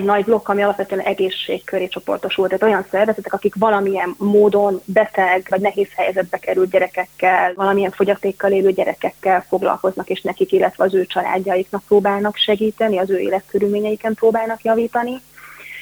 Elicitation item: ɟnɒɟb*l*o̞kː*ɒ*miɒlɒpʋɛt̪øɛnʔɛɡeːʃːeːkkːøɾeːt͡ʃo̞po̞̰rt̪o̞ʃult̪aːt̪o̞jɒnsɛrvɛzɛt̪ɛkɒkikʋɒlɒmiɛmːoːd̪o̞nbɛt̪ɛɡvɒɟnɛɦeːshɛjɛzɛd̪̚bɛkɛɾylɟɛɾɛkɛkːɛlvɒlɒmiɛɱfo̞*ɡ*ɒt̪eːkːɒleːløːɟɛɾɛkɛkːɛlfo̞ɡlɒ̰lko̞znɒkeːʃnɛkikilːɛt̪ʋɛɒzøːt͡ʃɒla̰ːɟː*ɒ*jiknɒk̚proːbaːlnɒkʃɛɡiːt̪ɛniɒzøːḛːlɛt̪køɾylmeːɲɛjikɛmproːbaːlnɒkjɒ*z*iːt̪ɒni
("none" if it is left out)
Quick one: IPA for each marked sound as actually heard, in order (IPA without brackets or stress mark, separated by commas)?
l, ɒ, ɟ, ɒ, v